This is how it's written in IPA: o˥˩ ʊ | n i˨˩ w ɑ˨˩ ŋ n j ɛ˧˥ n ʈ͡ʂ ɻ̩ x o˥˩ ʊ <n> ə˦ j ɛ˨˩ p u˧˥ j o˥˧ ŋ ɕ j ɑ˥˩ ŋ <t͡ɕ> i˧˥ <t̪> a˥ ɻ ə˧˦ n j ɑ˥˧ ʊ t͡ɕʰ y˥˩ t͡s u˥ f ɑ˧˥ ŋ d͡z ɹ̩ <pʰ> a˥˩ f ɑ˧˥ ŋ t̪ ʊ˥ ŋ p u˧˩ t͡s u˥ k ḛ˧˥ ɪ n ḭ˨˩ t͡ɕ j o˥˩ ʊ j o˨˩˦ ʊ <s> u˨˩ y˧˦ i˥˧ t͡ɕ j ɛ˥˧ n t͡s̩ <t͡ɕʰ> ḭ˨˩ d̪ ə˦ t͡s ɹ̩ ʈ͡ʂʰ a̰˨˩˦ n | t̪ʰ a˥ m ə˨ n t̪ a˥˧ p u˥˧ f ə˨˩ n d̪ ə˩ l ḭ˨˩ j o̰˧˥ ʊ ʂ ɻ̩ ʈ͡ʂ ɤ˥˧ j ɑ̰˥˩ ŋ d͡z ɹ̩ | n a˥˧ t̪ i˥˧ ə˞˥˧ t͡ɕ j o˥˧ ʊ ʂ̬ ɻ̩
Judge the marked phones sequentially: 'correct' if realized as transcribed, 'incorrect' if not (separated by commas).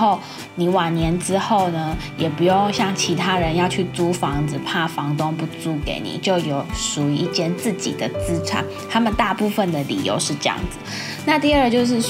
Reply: correct, incorrect, incorrect, correct, incorrect, incorrect